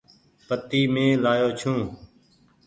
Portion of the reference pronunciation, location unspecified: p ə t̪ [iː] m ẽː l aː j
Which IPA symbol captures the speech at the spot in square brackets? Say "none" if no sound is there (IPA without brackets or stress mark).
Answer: iː